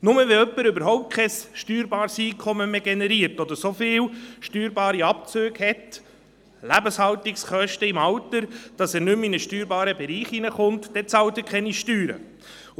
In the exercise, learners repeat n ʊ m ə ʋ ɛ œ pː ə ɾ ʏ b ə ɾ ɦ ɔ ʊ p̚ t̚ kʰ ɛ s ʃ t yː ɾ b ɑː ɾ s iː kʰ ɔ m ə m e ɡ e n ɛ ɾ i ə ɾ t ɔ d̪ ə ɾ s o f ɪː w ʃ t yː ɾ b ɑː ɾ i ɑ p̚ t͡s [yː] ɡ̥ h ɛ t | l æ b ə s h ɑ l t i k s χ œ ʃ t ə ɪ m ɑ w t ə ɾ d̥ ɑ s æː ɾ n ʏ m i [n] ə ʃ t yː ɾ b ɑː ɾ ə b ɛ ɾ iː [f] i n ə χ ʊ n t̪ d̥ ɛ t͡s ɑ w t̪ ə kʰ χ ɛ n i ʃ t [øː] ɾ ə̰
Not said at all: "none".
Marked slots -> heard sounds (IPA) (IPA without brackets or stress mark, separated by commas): øː, n, χ, yː